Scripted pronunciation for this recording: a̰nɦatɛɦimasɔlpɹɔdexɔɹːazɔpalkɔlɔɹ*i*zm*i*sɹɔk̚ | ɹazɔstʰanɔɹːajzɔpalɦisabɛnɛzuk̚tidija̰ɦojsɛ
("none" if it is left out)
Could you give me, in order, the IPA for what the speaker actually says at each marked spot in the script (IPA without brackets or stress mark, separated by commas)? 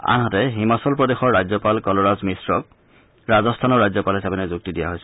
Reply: a, i